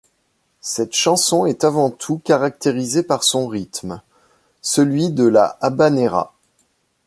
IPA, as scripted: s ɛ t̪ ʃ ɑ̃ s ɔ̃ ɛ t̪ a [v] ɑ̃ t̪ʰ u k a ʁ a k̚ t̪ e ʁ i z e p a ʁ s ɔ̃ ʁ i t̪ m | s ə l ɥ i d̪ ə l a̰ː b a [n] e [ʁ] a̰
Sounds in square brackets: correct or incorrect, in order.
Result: correct, correct, correct

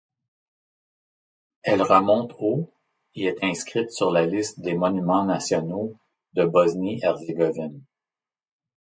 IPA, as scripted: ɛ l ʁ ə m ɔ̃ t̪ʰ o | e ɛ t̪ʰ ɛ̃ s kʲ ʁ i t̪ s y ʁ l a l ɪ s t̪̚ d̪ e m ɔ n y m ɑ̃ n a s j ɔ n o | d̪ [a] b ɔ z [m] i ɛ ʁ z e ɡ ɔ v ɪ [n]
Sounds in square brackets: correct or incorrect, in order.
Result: incorrect, incorrect, correct

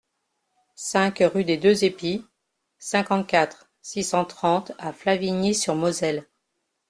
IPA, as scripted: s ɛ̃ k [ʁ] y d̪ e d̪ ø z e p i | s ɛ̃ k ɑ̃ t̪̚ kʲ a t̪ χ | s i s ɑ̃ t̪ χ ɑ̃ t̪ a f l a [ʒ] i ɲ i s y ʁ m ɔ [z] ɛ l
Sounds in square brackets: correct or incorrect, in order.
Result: correct, incorrect, correct

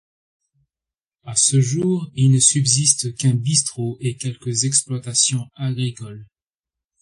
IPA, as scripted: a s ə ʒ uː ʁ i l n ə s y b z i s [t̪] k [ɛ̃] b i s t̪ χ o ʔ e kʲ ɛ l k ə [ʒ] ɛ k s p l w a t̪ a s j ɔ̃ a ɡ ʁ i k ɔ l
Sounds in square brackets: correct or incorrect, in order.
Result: correct, correct, incorrect

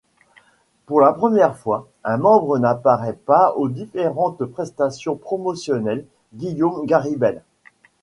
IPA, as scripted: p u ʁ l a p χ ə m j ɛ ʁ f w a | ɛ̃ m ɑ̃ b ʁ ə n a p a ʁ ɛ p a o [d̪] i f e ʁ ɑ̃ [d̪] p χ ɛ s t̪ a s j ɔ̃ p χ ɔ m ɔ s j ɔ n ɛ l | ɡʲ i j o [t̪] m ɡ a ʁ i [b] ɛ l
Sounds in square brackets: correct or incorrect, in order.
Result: correct, incorrect, incorrect, correct

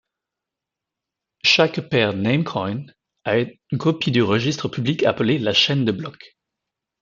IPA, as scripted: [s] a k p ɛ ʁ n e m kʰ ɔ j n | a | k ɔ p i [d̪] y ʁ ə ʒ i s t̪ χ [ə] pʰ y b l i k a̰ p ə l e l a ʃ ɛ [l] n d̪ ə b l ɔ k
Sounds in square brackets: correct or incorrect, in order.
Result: incorrect, correct, correct, incorrect

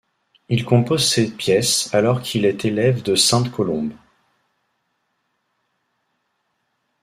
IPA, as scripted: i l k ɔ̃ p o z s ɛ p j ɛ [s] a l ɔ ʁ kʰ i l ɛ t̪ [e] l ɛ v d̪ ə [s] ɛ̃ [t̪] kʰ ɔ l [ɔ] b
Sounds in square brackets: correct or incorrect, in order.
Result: correct, correct, correct, correct, incorrect

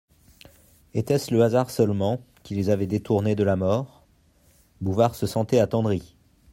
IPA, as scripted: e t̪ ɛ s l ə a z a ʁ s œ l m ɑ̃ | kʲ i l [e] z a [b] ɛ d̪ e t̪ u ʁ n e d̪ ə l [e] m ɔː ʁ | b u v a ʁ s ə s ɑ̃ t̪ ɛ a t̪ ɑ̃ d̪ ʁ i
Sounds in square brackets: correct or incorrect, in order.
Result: correct, incorrect, incorrect

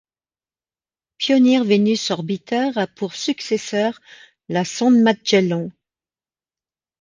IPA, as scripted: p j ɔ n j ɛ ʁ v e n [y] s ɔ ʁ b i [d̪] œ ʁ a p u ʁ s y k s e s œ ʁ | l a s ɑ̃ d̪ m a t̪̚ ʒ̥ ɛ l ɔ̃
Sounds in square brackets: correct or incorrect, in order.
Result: correct, incorrect

